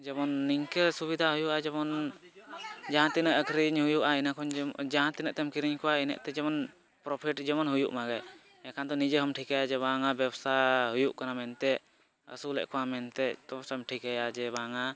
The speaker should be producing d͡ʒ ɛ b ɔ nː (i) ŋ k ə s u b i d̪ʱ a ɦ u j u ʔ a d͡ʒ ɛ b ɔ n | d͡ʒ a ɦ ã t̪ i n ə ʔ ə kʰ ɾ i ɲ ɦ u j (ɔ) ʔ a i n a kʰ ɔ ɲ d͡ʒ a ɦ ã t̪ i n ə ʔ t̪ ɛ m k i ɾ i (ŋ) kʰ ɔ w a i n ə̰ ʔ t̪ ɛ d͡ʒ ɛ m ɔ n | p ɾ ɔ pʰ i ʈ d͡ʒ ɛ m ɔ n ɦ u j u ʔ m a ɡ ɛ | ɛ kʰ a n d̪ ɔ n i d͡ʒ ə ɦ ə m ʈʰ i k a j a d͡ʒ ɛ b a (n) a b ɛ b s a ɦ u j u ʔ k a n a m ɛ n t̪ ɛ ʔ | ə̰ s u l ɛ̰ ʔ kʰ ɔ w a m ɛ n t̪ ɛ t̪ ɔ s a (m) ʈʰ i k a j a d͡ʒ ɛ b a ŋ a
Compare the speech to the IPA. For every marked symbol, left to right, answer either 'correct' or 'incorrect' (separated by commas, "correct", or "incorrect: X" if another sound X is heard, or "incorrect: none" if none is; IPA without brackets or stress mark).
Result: correct, incorrect: u, incorrect: ɲ, incorrect: ŋ, correct